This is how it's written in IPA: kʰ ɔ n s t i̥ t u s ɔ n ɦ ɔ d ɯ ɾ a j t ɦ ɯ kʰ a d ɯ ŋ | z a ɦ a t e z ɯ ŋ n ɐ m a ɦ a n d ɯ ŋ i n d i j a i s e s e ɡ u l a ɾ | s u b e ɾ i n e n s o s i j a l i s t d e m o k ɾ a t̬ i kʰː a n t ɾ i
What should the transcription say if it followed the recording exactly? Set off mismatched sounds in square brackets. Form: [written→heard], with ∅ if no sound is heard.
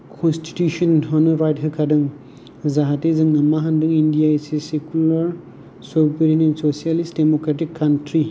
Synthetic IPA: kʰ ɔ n s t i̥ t u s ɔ n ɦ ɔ [d→n] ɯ ɾ a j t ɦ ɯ kʰ a d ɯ ŋ | z a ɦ a t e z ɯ ŋ n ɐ m a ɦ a n d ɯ ŋ i n d i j a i s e s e [ɡ→k] u l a ɾ | s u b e ɾ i n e n s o s i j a l i s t d e m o k ɾ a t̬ i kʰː a n t ɾ i